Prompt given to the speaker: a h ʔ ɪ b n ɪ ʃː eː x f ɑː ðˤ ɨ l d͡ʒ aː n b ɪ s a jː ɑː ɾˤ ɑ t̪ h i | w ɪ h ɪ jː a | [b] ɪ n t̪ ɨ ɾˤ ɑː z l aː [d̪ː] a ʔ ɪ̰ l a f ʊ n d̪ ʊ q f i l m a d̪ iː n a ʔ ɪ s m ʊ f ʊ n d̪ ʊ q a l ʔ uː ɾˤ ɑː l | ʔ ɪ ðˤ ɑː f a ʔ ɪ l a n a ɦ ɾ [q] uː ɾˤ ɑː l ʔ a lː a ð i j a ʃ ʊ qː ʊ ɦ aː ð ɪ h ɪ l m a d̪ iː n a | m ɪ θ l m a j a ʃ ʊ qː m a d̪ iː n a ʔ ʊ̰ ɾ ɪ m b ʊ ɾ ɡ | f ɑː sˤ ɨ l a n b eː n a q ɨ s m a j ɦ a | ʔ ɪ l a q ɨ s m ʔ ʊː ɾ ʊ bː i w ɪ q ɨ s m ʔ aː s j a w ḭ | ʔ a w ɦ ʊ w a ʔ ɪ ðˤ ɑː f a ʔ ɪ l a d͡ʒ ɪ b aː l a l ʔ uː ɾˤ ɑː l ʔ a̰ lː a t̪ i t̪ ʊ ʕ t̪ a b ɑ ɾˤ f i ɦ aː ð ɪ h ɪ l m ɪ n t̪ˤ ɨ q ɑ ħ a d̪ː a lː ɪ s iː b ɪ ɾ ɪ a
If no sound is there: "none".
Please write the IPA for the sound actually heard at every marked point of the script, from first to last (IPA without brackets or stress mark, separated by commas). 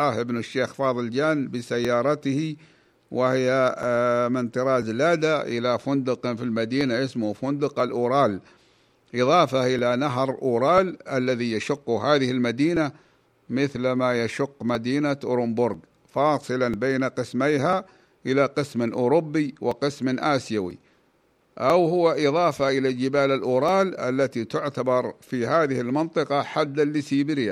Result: m, d̪, ʔ